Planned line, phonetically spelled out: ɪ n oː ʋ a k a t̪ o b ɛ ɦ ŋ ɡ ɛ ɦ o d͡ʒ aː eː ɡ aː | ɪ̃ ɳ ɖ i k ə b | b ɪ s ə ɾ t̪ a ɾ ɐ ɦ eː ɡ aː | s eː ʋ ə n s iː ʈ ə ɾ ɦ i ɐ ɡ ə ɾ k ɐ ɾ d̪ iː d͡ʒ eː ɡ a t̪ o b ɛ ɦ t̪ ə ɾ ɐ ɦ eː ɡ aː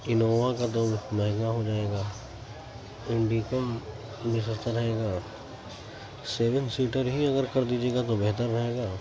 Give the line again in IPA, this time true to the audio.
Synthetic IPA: ɪ n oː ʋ a k a t̪ o m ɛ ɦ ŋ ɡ a ɦ o d͡ʒ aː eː ɡ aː | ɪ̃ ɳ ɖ i k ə m | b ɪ s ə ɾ t̪ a ɾ ɐ ɦ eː ɡ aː | s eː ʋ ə n s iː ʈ ə ɾ ɦ i ɐ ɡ ə ɾ k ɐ ɾ d̪ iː d͡ʒ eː ɡ a t̪ o b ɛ ɦ t̪ ə ɾː ɐ ɦ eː ɡ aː